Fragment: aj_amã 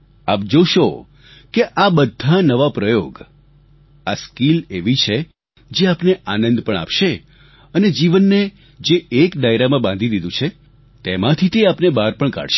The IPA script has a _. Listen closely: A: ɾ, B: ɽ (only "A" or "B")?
A